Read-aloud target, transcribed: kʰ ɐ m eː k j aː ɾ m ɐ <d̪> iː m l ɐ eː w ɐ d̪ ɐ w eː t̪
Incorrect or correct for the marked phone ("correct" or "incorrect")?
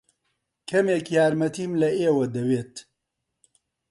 incorrect